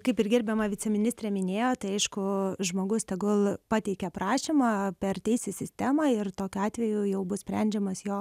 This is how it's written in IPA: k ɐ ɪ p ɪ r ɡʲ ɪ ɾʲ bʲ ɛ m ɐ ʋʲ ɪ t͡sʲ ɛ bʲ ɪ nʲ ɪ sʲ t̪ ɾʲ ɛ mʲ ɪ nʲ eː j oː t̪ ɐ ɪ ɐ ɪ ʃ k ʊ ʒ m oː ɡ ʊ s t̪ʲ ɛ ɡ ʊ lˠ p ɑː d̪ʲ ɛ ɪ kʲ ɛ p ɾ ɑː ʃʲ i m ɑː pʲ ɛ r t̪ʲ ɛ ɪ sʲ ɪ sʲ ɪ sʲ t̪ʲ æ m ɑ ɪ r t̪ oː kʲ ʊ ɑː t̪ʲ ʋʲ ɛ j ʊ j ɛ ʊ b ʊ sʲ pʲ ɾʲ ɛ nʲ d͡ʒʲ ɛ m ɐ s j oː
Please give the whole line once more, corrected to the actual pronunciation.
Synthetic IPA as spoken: k ɐ ɪ p ɪ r ɡʲ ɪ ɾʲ bʲ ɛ m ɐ ʋʲ ɪ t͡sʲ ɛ mʲ ɪ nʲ ɪ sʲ t̪ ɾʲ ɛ mʲ ɪ nʲ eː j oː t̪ ɐ ɪ ɐ ɪ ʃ k ʊ ʒ m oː ɡ ʊ s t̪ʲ ɛ ɡ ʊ lˠ p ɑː t̪ʲ ɛ ɪ kʲ ɛ p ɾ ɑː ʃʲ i m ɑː pʲ ɛ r t̪ʲ ɛ ɪ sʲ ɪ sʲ ɪ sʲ t̪ʲ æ m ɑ ɪ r t̪ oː kʲ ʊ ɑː t̪ʲ ʋʲ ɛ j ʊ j ɛ ʊ b ʊ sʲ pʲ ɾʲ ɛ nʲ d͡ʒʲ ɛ m ɐ s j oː